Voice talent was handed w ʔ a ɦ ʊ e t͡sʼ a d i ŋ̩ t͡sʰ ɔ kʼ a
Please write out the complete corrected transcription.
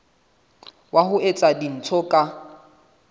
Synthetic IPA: w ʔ a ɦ ʊ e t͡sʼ a d i n̩ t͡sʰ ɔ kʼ a